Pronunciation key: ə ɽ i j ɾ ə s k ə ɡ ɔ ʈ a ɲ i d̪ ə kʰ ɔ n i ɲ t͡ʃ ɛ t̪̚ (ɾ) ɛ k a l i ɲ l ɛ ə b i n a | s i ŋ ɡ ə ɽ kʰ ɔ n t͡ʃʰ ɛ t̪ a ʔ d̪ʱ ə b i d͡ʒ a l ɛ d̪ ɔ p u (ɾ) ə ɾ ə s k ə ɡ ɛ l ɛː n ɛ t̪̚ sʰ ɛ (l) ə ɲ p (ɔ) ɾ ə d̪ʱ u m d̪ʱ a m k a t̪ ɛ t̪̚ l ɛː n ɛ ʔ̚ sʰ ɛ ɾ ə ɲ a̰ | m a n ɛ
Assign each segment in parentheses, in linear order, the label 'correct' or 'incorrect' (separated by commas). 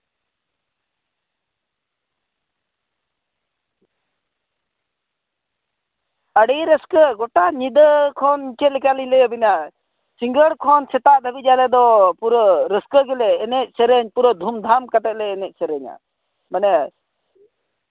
incorrect, correct, incorrect, incorrect